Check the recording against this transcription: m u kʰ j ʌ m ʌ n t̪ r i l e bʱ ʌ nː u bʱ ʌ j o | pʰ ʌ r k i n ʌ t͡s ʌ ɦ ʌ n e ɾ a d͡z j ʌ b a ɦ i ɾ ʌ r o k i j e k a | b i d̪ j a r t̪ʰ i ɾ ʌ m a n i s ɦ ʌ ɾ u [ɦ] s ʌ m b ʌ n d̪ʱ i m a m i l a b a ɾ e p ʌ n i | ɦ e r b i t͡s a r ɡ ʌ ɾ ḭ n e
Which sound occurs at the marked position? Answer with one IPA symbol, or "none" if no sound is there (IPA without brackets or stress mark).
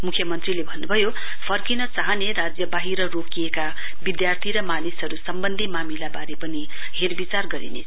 none